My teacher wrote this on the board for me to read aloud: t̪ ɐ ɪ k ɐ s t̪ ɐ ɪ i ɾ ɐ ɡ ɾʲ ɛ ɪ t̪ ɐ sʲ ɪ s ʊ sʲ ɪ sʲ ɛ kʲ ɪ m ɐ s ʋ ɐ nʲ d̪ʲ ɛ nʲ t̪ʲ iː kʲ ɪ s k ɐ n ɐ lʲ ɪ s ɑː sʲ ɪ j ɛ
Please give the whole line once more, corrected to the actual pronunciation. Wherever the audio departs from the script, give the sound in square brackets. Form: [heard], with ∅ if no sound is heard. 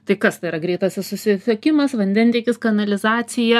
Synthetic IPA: t̪ ɐ ɪ k ɐ s t̪ ɐ ɪ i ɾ ɐ ɡ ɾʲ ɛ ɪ t̪ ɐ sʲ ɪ s ʊ sʲ ɪ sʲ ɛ kʲ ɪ m ɐ s ʋ ɐ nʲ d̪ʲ ɛ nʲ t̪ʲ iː kʲ ɪ s k ɐ n ɐ lʲ ɪ [z] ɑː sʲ ɪ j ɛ